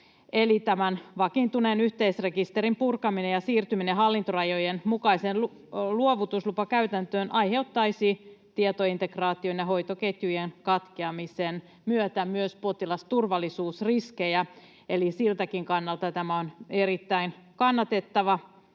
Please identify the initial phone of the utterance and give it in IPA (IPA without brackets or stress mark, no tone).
e